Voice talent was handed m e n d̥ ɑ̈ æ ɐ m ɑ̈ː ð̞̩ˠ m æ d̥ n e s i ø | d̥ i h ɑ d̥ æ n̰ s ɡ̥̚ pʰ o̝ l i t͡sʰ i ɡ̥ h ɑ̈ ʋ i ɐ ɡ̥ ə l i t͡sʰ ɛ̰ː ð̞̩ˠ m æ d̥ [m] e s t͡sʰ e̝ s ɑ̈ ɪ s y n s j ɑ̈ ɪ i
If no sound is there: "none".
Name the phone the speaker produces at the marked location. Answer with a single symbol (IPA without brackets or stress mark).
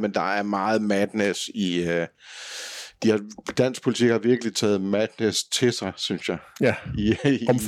n